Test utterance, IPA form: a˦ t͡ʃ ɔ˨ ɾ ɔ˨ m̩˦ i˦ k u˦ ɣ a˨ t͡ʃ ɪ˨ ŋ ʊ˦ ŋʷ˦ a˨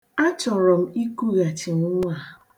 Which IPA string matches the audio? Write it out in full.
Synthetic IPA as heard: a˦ t͡ʃ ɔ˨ ɾ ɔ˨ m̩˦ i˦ k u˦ ɣ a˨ t͡ʃ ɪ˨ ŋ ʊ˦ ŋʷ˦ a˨

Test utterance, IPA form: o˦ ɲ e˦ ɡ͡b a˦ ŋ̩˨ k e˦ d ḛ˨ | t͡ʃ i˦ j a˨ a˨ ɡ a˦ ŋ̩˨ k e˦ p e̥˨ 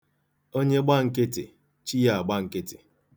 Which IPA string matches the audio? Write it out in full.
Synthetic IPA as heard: o˦ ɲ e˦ ɡ͡b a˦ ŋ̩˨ k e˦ t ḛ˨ | t͡ʃ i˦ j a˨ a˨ ɡ͡b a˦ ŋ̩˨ k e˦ t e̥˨

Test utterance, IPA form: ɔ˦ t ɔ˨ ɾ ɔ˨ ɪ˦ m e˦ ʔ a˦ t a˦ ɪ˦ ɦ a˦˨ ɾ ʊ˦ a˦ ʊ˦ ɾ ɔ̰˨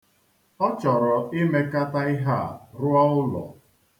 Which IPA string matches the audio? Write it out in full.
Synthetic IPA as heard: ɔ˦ t͡ʃ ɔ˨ ɾ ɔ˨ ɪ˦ m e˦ k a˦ t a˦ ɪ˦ ɦ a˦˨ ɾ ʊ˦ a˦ ʊ˦ l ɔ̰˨

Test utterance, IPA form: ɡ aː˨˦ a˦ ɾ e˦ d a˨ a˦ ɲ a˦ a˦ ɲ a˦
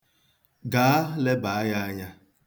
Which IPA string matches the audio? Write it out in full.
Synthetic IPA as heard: ɡ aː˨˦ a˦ l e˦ b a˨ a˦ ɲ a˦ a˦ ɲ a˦

